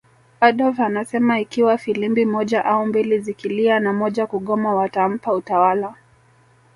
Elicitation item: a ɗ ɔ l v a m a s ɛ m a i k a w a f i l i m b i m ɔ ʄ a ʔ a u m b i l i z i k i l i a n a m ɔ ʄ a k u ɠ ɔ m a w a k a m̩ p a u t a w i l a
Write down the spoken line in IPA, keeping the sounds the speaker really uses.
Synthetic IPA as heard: a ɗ ɔ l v a n a s ɛ m a i k i w a f i l i m b i m ɔ ʄ a ʔ a u m b i l i z i k i l i a n a m ɔ ʄ a k u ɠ ɔ m a w a t a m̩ p a u t a w a l a